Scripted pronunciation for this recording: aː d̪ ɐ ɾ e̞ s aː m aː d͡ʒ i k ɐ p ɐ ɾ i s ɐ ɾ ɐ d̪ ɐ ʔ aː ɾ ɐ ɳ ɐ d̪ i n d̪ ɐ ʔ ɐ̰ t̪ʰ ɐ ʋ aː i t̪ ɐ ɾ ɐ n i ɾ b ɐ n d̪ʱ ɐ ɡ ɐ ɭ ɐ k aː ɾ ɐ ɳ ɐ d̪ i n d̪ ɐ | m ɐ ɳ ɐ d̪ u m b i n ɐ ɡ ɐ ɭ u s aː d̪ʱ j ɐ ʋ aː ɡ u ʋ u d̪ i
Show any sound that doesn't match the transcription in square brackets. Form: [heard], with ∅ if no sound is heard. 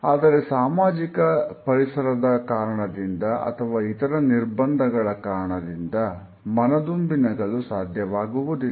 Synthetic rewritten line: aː d̪ ɐ ɾ e̞ s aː m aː d͡ʒ i k ɐ p ɐ ɾ i s ɐ ɾ ɐ d̪ ɐ [k] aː ɾ ɐ ɳ ɐ d̪ i n d̪ ɐ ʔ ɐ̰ t̪ʰ ɐ ʋ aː i t̪ ɐ ɾ ɐ n i ɾ b ɐ n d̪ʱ ɐ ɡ ɐ ɭ ɐ k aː ɾ ɐ ɳ ɐ d̪ i n d̪ ɐ | m ɐ [n] ɐ d̪ u m b i n ɐ ɡ ɐ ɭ u s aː d̪ʱ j ɐ ʋ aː ɡ u ʋ u d̪ i